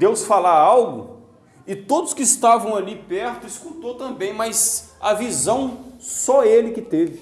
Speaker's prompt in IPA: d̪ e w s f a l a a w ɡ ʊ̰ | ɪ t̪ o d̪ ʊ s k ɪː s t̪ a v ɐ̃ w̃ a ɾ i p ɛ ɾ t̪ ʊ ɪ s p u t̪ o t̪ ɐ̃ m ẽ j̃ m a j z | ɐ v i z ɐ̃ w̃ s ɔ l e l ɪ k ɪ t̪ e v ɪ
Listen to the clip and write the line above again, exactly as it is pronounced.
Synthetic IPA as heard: d̪ e w s f a l a a w ɡ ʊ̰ | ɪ t̪ o d̪ ʊ s k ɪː s t̪ a v ɐ̃ w̃ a l i p ɛ ɾ t̪ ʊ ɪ s k u t̪ o t̪ ɐ̃ b ẽ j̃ m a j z | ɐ v i z ɐ̃ w̃ s ɔ e l ɪ k ɪ t̪ e v ɪ